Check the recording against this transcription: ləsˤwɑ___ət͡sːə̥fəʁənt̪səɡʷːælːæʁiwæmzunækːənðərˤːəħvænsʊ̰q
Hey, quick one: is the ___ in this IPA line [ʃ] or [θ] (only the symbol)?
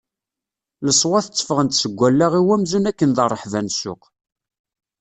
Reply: θ